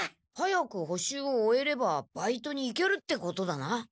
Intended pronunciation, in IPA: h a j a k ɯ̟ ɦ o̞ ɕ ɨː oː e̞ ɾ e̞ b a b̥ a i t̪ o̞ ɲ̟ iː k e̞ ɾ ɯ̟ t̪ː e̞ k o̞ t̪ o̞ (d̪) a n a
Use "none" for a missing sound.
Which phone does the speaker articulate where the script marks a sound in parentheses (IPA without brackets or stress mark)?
d̪